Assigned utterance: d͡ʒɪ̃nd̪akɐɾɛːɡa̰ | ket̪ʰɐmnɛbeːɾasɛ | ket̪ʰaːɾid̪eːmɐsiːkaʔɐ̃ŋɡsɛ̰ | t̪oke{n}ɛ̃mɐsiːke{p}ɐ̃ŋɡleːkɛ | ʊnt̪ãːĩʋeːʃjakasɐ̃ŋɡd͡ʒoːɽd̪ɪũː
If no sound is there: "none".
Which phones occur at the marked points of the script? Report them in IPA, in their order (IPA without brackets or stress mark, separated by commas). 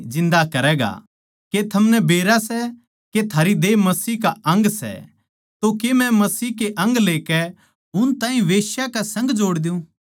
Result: m, ʔ